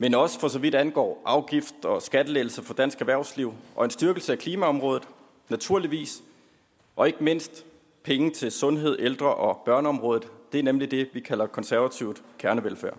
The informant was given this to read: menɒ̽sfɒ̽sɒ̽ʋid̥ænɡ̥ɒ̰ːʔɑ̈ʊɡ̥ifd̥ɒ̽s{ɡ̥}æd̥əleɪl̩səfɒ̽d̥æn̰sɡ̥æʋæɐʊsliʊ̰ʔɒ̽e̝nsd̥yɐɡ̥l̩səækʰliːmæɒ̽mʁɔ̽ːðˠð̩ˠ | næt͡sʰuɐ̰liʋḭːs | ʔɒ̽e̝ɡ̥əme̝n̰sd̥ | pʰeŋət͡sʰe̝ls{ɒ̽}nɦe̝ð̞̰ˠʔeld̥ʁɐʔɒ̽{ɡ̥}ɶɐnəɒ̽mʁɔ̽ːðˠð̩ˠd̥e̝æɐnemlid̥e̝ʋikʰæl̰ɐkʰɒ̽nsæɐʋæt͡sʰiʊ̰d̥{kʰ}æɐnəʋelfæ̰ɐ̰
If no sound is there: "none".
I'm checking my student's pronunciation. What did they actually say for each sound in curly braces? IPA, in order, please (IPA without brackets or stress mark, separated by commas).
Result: ɡ̥, ɔ̽, b̥, kʰ